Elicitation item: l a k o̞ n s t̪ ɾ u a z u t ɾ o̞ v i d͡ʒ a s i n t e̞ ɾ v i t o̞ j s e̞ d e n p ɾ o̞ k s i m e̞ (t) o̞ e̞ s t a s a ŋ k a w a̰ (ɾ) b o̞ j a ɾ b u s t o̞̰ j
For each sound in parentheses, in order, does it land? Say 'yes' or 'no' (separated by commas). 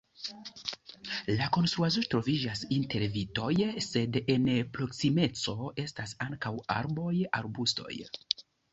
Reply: no, yes